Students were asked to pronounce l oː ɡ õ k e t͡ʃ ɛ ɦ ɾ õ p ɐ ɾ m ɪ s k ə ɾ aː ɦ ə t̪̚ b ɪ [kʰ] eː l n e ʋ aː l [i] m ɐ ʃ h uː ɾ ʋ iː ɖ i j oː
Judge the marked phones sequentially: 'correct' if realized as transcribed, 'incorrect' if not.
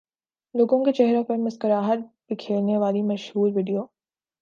correct, correct

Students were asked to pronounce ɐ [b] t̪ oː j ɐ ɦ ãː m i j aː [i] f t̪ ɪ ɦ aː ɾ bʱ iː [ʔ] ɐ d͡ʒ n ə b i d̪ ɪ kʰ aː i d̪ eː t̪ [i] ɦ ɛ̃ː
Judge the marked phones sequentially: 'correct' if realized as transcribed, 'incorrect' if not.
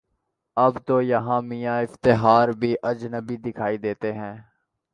correct, incorrect: ɪ, correct, incorrect: e

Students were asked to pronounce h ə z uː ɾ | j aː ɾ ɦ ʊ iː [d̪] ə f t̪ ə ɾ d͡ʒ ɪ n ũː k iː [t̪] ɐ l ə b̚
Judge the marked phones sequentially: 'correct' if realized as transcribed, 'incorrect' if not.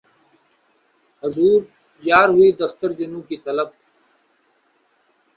correct, correct

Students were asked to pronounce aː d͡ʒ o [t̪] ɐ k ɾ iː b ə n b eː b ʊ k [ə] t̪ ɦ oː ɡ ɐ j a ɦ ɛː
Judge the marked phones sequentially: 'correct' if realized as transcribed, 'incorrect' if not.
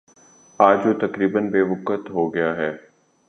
correct, correct

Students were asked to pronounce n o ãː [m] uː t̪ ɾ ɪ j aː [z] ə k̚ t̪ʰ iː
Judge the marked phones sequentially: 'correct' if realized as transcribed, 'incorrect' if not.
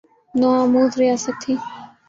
correct, incorrect: s

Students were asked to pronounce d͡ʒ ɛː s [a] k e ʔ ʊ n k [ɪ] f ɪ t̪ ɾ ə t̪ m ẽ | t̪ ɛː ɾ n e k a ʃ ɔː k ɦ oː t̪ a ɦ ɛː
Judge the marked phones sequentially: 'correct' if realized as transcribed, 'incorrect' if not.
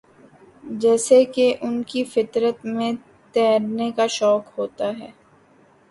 incorrect: e, incorrect: i

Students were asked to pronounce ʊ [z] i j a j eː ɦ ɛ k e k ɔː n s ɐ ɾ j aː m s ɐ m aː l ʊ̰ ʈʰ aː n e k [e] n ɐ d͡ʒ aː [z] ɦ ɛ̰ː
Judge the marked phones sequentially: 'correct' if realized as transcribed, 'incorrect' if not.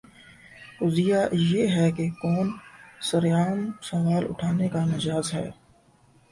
correct, incorrect: a, correct

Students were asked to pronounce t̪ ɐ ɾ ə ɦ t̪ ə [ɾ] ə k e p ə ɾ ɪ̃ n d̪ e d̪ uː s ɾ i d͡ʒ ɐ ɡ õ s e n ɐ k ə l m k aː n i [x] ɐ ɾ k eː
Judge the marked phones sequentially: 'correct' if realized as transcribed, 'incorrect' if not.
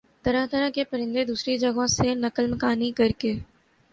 correct, incorrect: k

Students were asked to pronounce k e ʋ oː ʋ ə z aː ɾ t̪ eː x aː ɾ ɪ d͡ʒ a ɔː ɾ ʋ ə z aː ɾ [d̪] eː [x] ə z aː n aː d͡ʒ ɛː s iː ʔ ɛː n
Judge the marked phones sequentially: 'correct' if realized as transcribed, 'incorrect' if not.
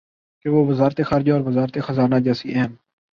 incorrect: t̪, correct

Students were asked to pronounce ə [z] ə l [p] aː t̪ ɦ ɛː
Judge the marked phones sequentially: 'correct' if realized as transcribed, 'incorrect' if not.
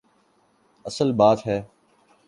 incorrect: s, incorrect: b

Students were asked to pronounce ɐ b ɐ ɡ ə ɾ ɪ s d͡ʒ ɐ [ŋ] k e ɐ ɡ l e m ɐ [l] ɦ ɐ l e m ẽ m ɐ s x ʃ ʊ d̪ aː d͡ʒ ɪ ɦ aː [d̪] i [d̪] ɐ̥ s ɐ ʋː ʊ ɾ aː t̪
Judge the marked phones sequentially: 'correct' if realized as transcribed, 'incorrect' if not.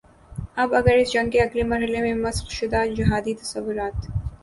correct, incorrect: ɾ, correct, incorrect: t̪

